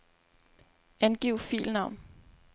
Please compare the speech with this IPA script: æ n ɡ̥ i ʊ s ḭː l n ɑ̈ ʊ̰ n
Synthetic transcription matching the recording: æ n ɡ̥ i ʊ f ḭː l n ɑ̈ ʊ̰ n